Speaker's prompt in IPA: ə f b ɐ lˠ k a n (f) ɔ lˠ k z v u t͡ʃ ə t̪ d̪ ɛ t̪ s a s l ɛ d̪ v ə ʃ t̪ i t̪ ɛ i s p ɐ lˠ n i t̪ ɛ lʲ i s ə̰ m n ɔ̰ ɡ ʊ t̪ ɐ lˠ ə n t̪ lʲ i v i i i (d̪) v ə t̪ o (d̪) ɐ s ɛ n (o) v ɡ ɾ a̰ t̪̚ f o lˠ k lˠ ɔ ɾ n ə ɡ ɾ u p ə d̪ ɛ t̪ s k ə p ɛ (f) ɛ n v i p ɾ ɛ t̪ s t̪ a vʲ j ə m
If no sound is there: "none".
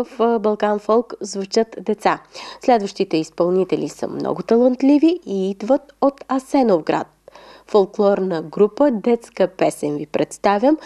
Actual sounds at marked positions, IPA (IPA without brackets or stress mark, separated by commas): f, d̪, t̪, o, s